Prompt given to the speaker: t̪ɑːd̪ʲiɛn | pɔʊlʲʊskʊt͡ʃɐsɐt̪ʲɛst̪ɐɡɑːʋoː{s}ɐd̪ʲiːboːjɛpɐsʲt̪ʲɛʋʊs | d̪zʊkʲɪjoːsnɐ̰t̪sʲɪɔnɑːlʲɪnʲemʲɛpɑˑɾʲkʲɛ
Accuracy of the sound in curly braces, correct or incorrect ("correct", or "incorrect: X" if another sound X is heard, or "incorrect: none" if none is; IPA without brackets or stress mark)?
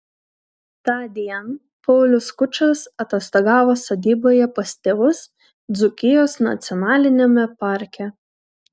correct